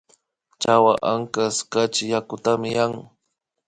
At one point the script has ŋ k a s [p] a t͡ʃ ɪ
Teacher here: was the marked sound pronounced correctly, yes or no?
no